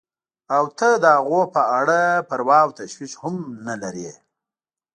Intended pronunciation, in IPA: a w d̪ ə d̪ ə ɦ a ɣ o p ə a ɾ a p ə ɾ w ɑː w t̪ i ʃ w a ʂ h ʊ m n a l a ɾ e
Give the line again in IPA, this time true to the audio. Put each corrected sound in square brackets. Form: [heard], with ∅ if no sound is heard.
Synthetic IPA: a w [t̪] ə d̪ ə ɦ a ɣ o p ə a [ɽ] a p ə ɾ w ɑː w t̪ [a] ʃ w [i] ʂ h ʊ m n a l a ɾ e